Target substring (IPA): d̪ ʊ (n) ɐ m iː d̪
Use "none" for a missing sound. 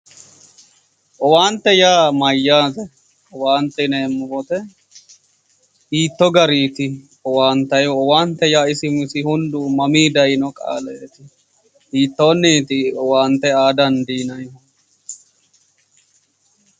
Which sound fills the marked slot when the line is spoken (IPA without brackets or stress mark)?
m